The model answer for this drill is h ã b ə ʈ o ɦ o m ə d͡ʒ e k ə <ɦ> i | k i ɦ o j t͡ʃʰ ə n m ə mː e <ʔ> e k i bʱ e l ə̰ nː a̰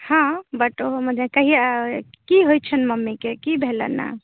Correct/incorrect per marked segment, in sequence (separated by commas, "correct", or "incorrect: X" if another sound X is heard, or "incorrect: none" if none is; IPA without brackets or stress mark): correct, incorrect: k